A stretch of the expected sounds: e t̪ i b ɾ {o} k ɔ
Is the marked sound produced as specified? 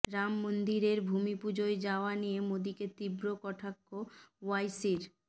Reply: yes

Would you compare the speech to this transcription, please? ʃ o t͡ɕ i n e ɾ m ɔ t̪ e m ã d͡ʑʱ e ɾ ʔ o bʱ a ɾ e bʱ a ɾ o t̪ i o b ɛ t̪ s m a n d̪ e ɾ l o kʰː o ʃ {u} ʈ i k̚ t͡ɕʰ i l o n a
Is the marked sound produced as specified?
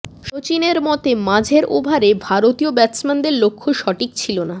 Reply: no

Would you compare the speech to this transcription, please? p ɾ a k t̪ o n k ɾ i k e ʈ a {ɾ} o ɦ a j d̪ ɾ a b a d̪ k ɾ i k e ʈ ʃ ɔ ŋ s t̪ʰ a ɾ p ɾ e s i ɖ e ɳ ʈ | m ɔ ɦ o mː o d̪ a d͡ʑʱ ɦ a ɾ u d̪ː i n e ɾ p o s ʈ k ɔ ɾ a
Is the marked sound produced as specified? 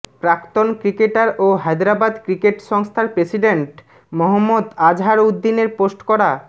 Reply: yes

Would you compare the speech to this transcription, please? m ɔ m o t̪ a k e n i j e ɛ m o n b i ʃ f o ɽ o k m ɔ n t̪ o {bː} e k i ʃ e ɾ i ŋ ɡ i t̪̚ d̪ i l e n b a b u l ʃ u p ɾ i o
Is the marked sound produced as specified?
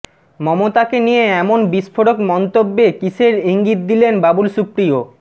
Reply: yes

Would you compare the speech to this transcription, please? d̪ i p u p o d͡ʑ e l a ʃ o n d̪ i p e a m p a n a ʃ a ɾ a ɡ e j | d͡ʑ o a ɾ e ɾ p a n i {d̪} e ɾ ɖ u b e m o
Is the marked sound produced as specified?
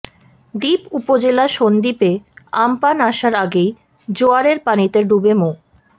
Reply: no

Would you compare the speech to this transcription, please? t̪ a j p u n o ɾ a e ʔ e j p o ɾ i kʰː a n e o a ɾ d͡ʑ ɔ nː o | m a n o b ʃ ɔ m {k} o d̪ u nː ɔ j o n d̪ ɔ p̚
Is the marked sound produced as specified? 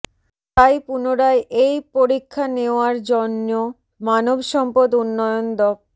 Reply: no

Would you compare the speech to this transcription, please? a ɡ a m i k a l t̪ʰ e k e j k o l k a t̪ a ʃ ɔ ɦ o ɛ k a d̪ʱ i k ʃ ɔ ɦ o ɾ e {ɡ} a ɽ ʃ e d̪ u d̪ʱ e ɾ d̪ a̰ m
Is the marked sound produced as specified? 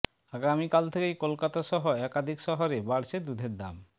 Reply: no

